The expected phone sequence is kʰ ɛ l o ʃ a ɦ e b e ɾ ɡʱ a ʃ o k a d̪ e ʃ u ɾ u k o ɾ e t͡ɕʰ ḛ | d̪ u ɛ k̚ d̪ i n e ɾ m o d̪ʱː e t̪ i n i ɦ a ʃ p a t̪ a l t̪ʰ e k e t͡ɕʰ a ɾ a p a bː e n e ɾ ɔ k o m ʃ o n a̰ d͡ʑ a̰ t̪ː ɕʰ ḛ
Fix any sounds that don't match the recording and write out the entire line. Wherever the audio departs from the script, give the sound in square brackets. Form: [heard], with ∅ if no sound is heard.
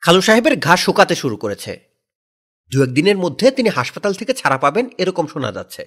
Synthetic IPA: kʰ [a] l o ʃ a ɦ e b e ɾ ɡʱ a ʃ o k a [t̪] e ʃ u ɾ u k o ɾ e t͡ɕʰ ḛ | d̪ u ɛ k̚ d̪ i n e ɾ m o d̪ʱː e t̪ i n i ɦ a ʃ p a t̪ a l t̪ʰ e k e t͡ɕʰ a ɾ a p a [b] e n e ɾ ɔ k o m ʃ o n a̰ d͡ʑ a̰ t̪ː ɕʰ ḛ